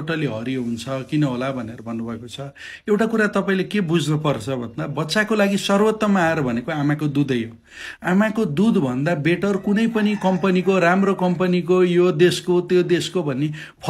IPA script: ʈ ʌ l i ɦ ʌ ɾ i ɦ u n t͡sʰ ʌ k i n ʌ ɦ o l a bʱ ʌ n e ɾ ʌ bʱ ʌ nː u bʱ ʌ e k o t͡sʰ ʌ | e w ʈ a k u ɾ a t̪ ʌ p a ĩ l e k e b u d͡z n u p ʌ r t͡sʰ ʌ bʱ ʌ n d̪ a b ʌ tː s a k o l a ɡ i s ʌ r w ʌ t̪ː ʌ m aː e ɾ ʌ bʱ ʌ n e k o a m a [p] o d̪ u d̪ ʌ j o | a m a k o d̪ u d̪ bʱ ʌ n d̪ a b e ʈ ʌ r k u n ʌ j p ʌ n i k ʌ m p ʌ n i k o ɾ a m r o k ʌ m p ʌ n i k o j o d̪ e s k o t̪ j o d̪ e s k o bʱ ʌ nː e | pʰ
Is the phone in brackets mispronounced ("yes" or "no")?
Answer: yes